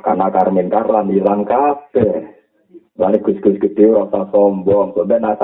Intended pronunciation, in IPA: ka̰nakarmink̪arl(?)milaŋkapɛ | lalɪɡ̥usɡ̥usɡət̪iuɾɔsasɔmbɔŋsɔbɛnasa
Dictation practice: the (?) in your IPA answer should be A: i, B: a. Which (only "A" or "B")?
B